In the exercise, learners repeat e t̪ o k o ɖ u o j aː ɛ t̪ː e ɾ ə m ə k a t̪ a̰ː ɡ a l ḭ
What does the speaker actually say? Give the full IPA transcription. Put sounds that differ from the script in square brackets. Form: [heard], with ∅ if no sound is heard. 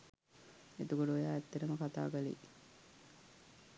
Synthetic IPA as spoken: e t̪ [u] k o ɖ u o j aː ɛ t̪ː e ɾ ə m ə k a t̪ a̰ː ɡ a l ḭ